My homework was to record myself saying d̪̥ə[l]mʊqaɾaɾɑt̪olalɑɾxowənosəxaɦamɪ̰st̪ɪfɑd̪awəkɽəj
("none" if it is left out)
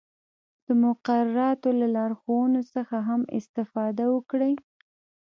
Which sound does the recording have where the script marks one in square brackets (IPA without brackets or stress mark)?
none